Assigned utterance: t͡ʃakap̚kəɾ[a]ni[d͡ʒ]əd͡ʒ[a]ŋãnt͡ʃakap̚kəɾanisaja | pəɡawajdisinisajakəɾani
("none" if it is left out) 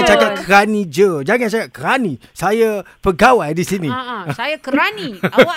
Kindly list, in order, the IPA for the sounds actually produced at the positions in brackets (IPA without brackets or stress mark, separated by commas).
a, d͡ʒ, a